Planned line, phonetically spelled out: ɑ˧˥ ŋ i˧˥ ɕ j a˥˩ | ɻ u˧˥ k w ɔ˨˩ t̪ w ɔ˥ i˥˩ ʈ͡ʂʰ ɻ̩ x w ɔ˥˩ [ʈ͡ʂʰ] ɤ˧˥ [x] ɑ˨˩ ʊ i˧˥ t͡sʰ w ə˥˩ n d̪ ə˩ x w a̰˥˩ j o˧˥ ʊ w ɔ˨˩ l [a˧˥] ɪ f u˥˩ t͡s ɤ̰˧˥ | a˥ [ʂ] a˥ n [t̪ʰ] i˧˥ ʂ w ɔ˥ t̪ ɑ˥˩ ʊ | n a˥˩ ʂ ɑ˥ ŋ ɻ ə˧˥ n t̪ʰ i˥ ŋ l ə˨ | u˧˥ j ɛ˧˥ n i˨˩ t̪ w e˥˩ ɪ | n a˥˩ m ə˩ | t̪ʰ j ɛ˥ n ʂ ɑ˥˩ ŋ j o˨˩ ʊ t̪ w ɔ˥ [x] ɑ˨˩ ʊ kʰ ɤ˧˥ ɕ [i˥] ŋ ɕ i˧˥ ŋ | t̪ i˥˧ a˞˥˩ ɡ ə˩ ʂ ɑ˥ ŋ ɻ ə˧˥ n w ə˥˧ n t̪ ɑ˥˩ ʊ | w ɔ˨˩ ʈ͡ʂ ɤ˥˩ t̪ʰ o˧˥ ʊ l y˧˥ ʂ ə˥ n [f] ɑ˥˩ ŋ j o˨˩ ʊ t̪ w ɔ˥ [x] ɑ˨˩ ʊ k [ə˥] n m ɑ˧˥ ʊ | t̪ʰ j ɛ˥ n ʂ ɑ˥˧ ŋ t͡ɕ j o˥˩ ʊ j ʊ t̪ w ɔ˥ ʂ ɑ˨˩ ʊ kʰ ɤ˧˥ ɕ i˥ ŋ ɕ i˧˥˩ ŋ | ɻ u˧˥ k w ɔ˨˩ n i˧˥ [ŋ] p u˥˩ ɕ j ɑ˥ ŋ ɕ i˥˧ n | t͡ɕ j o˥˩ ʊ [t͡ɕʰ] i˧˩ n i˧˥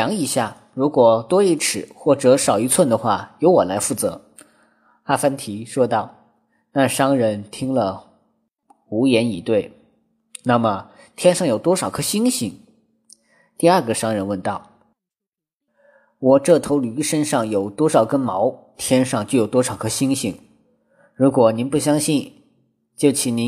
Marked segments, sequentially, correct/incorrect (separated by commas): incorrect, incorrect, correct, incorrect, correct, incorrect, correct, incorrect, incorrect, correct, incorrect, correct